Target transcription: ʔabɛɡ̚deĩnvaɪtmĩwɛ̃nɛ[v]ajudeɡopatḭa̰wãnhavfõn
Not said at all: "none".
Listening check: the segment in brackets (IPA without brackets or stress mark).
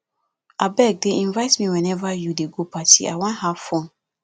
v